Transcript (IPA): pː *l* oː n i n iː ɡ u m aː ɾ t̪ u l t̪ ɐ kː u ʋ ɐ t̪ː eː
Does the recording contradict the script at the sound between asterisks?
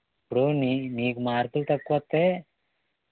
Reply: yes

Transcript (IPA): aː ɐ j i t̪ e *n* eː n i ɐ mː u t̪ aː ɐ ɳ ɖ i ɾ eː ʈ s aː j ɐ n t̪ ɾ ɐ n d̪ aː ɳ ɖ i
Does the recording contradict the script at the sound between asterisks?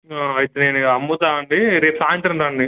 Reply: no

